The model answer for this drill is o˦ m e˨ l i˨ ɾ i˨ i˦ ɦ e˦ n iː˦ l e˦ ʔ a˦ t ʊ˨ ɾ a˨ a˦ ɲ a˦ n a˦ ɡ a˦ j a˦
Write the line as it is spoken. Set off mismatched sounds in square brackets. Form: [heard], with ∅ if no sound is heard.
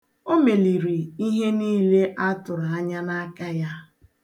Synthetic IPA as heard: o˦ m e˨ l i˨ ɾ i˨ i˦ ɦ e˦ n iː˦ l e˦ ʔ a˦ t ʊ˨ ɾ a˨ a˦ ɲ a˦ n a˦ [k] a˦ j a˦